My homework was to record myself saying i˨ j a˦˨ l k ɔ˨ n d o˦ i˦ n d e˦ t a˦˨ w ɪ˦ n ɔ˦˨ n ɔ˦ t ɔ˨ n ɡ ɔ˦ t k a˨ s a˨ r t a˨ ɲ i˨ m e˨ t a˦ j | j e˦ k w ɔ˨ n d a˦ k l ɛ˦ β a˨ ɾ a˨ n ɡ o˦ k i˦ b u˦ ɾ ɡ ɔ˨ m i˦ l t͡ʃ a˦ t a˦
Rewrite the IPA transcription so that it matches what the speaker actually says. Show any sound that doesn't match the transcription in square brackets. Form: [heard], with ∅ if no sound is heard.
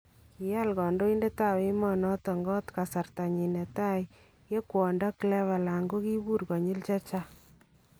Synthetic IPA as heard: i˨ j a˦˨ l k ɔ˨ n d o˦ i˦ n d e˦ t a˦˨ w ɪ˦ [m] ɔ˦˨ n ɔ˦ t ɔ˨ [ŋ] ɡ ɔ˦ t k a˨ s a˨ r t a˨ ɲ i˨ [n] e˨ t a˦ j | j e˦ k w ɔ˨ n d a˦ k l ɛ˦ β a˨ [l] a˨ [ŋ] ɡ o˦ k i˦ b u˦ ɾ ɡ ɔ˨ [ɲ] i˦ l t͡ʃ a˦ [t͡ʃ] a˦